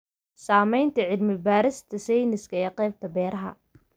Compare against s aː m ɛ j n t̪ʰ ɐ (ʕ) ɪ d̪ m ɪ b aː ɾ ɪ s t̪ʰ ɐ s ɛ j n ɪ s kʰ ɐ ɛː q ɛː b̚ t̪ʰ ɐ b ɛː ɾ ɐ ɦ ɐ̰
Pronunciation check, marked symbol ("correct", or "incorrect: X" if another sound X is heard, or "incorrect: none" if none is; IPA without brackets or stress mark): correct